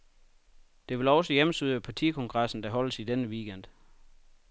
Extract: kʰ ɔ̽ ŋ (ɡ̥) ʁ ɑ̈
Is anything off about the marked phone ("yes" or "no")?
no